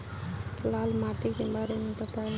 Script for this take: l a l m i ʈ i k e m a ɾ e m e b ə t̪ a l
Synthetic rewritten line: l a l m a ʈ i k e b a ɾ e m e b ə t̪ a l